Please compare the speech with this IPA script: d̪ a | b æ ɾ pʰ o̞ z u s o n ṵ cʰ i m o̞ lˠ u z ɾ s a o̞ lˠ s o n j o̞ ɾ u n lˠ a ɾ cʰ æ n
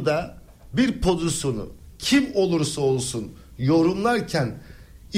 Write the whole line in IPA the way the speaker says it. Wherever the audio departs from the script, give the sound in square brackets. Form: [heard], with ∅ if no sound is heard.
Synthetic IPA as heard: d̪ a | b [i] ɾ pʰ o̞ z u s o n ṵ cʰ i m o̞ lˠ u [∅] ɾ s a o̞ lˠ s [u] n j o̞ ɾ u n lˠ a ɾ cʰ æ n